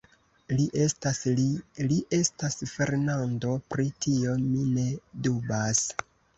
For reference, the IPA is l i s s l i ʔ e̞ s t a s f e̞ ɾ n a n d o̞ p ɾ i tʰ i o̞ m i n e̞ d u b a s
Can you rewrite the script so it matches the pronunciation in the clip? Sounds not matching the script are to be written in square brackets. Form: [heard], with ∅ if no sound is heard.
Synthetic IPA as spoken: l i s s l i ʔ e̞ s t a s f e̞ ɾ n a n d o̞ p ɾ i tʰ i o̞ m i n e̞ d u b a s